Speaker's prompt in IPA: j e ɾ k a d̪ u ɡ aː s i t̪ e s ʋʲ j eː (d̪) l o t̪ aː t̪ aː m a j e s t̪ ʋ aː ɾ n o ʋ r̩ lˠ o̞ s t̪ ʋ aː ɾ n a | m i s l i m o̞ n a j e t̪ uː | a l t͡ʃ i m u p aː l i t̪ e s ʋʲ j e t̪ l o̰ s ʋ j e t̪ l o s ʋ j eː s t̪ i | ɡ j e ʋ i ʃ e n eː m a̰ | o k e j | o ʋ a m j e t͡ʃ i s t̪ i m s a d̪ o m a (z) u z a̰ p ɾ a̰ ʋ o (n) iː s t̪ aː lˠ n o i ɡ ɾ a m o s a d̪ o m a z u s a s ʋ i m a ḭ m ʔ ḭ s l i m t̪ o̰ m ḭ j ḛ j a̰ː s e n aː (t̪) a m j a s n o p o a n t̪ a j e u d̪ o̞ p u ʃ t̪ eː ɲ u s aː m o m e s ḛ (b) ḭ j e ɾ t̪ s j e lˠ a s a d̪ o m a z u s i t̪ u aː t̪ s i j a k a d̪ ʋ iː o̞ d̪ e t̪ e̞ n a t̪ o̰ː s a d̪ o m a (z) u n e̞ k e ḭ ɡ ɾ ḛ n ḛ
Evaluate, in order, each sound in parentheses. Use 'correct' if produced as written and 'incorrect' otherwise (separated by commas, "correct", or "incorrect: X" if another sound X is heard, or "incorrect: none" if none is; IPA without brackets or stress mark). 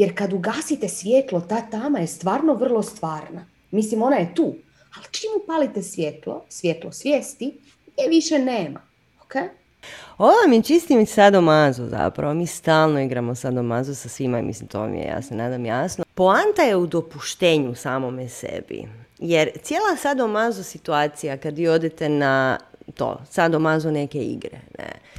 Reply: incorrect: t̪, correct, incorrect: m, incorrect: d̪, correct, correct